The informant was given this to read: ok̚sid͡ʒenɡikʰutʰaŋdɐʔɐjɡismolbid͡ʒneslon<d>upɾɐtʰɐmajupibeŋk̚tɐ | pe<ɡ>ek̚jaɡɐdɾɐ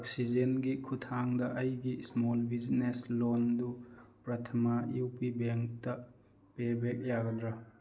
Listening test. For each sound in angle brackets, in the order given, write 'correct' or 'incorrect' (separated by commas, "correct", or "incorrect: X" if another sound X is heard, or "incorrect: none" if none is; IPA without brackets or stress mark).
correct, incorrect: b